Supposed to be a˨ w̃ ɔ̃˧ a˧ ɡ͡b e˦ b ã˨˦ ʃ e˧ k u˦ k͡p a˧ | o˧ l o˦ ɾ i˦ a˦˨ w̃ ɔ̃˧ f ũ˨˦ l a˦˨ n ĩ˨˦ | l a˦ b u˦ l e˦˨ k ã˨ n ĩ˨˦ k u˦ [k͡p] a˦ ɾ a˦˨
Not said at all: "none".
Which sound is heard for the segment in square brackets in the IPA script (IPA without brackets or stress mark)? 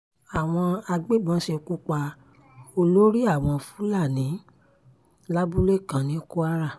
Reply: none